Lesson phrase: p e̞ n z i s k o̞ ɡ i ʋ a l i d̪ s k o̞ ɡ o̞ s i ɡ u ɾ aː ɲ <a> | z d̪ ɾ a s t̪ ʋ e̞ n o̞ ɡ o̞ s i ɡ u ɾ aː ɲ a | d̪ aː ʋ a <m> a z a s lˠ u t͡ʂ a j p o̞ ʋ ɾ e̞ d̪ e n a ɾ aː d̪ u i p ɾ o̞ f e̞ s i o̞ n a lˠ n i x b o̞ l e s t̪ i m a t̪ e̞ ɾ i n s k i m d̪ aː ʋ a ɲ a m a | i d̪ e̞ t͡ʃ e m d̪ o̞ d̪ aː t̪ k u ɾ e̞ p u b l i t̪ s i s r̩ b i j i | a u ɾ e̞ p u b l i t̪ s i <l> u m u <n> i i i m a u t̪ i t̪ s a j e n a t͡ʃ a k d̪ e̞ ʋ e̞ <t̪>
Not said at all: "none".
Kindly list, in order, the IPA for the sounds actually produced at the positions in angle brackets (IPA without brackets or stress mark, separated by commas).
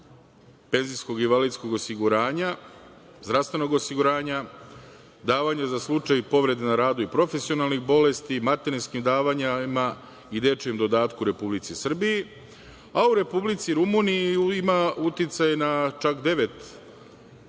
a, ɲ, ɾ, n, t̪